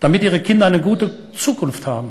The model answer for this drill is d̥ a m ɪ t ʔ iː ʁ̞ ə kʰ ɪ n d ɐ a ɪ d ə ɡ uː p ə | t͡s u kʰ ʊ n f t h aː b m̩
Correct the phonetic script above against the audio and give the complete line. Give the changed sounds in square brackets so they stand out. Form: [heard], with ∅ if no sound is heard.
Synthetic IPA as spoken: d̥ a m ɪ t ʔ iː ʁ̞ ə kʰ ɪ n d ɐ a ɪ [n] ə ɡ uː [t] ə | t͡s [uː] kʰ ʊ n f t h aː b m̩